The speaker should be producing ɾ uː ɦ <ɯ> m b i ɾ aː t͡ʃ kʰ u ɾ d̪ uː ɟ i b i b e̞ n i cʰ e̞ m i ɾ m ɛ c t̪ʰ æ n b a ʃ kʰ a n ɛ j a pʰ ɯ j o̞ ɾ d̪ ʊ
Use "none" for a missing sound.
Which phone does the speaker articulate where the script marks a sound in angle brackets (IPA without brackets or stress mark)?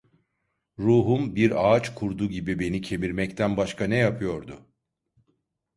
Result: u